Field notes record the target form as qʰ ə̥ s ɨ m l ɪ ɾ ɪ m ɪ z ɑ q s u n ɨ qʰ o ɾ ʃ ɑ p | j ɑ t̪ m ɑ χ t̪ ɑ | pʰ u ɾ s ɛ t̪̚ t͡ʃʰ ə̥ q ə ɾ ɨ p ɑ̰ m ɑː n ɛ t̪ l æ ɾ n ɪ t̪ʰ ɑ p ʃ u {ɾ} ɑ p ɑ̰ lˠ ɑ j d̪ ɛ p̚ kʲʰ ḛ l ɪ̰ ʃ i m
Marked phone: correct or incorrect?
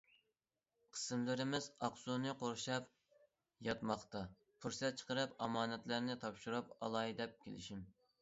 correct